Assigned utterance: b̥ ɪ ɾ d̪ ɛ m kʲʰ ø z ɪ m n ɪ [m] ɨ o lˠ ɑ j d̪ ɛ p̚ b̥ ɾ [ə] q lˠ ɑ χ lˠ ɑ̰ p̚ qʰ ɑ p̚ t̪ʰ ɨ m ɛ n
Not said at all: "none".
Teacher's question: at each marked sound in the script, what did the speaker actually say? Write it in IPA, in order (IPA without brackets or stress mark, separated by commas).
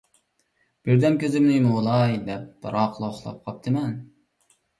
m, ɑ